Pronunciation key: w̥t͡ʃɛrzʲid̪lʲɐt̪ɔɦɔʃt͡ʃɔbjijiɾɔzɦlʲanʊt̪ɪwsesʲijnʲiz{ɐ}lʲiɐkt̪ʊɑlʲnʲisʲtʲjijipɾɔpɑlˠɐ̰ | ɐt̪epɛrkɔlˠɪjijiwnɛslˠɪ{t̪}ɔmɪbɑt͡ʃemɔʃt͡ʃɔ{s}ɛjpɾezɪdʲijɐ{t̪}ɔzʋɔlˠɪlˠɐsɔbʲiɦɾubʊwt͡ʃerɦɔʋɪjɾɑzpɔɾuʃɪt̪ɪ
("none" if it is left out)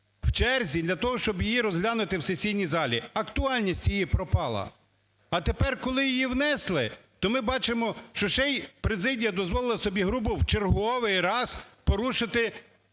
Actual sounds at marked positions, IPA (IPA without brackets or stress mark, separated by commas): ɑ, t̪, ʃ, d̪